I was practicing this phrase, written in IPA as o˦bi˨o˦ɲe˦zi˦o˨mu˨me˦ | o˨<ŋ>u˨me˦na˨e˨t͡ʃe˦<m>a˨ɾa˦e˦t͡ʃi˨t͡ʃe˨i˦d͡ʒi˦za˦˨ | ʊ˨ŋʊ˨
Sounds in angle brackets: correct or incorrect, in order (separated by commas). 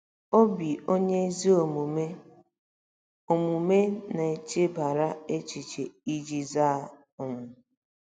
incorrect, incorrect